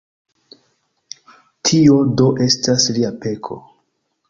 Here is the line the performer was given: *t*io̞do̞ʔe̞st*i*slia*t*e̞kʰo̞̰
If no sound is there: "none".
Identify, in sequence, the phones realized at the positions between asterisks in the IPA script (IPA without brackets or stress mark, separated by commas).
tʰ, a, p